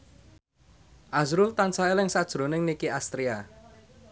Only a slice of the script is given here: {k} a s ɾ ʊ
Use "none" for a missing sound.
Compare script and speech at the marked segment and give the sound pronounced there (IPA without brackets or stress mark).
ʔ